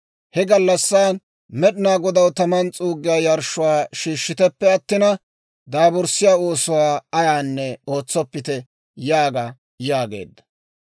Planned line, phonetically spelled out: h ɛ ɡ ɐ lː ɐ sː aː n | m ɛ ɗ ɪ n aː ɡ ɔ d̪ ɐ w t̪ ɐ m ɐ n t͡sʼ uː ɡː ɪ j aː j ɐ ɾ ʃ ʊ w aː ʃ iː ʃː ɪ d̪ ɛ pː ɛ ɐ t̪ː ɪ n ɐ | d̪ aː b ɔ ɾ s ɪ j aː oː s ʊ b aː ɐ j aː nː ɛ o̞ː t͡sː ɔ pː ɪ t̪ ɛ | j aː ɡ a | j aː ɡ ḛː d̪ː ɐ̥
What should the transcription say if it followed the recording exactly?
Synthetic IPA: h ɛ ɡ ɐ lː ɐ sː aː n | m ɛ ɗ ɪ n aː ɡ ɔ d̪ ɐ w t̪ ɐ m ɐ n t͡sʼ uː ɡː ɪ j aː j ɐ ɾ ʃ ʊ w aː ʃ iː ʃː ɪ t̪ ɛ pː ɛ ɐ t̪ː ɪ n ɐ | d̪ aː b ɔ ɾ s ɪ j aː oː s ʊ w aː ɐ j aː nː ɛ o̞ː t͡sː ɔ pː ɪ t̪ ɛ | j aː ɡ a | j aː ɡ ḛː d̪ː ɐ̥